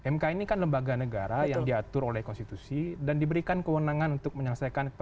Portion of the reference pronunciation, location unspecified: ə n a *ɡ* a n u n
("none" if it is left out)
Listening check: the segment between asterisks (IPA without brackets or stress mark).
ŋ